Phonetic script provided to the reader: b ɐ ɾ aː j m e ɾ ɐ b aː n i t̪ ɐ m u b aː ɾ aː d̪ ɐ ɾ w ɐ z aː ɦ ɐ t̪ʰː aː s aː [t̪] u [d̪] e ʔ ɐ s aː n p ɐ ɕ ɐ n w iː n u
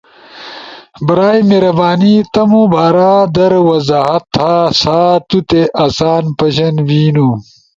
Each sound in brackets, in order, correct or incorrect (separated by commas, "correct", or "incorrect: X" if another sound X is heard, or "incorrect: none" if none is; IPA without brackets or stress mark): correct, incorrect: t̪